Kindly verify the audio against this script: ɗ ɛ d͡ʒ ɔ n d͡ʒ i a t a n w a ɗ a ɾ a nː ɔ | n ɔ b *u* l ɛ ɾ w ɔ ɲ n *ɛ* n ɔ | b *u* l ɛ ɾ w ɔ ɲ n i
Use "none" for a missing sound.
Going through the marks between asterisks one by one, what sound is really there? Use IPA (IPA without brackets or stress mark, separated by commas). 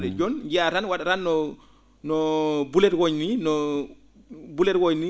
u, i, u